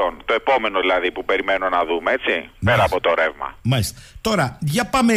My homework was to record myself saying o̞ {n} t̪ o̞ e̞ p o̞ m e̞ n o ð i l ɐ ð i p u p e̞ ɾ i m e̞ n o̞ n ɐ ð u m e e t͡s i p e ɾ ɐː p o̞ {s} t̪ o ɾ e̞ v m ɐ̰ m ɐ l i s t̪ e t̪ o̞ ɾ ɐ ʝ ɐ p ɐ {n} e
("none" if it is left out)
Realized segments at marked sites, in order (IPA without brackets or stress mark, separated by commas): n, none, m